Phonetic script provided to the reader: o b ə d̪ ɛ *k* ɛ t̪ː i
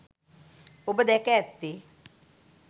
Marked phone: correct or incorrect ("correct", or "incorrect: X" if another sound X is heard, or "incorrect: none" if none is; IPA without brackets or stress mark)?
correct